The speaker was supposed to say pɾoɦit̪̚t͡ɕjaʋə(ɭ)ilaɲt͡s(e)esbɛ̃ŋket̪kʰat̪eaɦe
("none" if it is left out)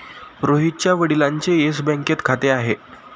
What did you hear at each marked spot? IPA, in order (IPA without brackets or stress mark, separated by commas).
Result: ɽ, e